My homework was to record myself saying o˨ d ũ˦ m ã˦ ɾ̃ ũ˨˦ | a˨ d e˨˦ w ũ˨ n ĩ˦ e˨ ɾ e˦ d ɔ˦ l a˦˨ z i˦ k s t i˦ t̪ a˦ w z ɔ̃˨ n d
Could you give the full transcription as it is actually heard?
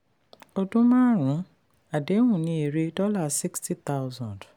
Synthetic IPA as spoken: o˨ d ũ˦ m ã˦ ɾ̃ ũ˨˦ | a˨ d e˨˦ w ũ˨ n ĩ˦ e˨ ɾ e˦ d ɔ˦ l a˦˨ s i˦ k s t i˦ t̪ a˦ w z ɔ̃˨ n d